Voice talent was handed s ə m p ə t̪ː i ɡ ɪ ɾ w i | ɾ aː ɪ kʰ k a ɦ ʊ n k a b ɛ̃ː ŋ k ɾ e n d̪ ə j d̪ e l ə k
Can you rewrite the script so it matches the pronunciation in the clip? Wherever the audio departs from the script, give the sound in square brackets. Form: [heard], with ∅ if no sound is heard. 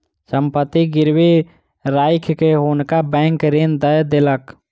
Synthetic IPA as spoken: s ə m p ə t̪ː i ɡ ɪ ɾ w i | ɾ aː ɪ kʰ k [e] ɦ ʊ n k a b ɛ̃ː ŋ k ɾ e n d̪ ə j d̪ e l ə k